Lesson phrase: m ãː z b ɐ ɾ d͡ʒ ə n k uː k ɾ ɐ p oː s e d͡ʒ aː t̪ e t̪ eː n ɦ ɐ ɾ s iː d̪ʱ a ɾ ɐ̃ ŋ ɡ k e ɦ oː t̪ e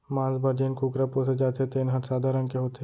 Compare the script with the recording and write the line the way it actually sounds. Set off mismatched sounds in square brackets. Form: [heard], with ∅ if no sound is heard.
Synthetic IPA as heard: m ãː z b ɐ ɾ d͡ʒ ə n k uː k ɾ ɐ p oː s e d͡ʒ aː t̪ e t̪ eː n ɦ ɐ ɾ s [aː] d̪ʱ a ɾ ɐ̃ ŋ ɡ k e ɦ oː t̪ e